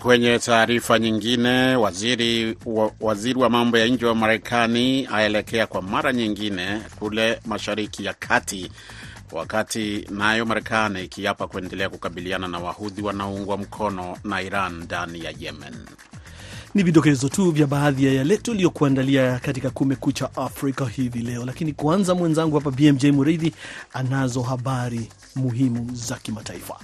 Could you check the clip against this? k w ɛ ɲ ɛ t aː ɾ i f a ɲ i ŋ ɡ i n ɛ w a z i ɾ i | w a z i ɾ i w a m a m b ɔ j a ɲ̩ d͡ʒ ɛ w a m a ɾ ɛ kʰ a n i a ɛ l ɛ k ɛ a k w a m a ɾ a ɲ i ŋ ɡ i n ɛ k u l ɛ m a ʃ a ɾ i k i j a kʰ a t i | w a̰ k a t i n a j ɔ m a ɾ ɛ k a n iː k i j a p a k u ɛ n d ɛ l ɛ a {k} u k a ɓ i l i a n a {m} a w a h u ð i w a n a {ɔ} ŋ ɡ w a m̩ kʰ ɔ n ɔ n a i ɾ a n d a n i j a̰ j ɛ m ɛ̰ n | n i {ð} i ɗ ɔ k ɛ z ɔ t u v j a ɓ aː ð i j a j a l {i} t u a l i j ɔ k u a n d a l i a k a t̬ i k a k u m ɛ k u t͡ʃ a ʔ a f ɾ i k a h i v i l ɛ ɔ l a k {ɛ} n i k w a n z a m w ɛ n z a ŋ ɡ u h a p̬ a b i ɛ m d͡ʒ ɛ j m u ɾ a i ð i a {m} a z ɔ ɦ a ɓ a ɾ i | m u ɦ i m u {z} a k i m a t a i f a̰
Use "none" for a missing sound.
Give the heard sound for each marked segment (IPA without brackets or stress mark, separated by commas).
k, n, u, v, ɛ, i, n, z